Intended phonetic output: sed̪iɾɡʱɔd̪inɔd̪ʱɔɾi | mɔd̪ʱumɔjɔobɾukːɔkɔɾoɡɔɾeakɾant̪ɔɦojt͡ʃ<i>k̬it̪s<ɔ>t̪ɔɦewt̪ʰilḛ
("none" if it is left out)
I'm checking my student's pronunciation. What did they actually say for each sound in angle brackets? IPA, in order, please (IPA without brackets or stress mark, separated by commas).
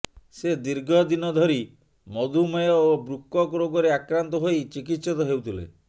i, ɔ